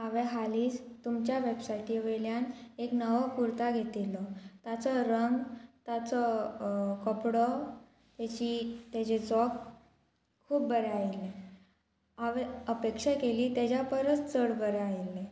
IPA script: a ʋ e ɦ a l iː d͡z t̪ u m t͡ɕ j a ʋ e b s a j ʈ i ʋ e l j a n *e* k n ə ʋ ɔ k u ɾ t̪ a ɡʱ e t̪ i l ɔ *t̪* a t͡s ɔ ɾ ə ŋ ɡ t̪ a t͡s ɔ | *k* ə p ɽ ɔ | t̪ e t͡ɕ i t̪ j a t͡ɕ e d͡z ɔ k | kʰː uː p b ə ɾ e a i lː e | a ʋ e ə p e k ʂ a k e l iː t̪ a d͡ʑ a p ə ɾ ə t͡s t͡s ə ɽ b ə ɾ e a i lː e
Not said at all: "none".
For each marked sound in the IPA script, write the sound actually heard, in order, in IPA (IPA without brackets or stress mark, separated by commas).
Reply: e, t̪, k